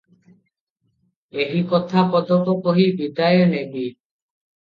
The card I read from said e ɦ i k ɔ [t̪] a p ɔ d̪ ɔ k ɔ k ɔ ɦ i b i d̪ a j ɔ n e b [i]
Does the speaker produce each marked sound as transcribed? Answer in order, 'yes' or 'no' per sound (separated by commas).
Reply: no, yes